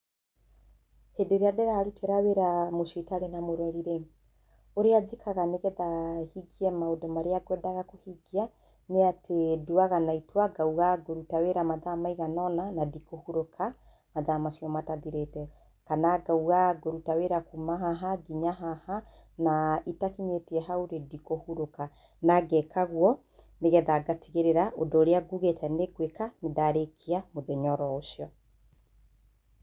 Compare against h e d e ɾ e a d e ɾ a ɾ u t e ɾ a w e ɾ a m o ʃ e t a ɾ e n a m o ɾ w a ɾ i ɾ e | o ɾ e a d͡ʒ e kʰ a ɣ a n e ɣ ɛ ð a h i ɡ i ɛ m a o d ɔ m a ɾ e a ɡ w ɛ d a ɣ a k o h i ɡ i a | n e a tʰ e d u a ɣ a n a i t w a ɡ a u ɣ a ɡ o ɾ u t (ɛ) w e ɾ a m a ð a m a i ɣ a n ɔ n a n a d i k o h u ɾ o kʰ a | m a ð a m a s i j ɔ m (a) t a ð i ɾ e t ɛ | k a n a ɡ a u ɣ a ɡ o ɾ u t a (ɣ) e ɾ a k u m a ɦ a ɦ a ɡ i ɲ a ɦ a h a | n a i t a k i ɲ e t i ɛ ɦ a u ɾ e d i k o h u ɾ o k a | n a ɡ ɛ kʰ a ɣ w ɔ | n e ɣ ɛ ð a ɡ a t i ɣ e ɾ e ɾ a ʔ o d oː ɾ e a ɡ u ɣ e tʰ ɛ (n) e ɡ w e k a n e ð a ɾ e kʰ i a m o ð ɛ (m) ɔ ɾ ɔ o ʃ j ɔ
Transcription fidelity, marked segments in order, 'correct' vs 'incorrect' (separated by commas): incorrect, correct, incorrect, correct, incorrect